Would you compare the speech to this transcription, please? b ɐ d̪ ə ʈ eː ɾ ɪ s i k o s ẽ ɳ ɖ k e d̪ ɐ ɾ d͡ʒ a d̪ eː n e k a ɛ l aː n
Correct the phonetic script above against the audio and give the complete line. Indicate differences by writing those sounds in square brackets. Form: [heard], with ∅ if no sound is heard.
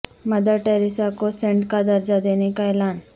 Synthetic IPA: [m] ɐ d̪ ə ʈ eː ɾ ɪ s [a] k o s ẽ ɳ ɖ k [a] d̪ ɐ ɾ d͡ʒ a d̪ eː n e k a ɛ l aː n